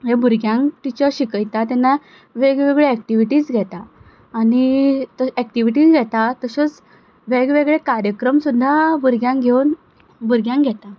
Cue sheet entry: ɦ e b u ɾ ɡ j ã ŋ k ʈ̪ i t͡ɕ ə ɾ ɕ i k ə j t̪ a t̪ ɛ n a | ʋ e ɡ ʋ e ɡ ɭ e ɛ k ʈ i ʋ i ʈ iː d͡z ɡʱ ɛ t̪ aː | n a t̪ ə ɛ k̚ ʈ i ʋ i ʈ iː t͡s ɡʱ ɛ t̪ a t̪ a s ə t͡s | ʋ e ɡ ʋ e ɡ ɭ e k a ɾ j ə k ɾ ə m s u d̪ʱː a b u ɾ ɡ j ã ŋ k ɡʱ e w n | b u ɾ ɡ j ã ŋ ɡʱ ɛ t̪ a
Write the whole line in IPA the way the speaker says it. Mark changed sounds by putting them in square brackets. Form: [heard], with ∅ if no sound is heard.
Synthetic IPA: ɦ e b u ɾ ɡ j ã ŋ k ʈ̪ i t͡ɕ ə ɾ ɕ i k ə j t̪ a t̪ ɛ n a | ʋ e ɡ ʋ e ɡ ɭ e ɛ k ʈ i ʋ i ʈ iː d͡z ɡʱ ɛ t̪ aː | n [i] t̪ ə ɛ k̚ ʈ i ʋ i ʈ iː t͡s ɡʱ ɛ t̪ a t̪ [ə] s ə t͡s | ʋ e ɡ ʋ e ɡ ɭ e k a ɾ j ə k ɾ ə m s u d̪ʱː a b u ɾ ɡ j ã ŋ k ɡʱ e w n | b u ɾ ɡ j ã ŋ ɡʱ ɛ t̪ a